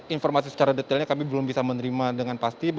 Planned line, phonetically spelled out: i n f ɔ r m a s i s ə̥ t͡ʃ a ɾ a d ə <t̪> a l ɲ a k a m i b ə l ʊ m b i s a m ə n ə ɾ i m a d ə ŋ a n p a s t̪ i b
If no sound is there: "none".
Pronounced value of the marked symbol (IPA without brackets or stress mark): t̪